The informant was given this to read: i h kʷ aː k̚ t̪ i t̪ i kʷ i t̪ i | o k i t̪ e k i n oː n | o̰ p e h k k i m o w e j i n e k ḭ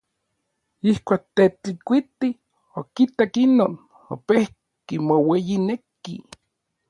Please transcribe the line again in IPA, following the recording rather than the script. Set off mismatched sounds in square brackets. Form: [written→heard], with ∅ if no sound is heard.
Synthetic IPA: i h kʷ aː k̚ t̪ [i→e] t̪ i kʷ i t̪ i | o k i t̪ [e→a] k i n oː n | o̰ p e h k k i m o w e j i n e k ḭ